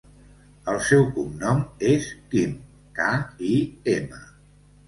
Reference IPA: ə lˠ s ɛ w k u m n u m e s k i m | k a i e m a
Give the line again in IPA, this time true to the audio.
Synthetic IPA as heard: ə lˠ s ɛ w k u m n ɔ m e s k i m | k a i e m ə